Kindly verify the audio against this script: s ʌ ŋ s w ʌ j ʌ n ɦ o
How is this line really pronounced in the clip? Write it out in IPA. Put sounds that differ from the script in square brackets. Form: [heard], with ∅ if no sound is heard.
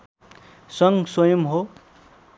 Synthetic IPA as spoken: s ʌ ŋ s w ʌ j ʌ [m] ɦ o